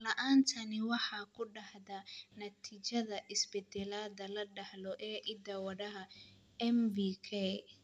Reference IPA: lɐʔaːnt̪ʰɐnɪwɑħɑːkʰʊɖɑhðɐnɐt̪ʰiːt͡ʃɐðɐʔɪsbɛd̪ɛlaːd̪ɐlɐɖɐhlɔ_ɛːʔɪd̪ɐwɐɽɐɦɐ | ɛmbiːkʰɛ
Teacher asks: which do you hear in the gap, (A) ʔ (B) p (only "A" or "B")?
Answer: A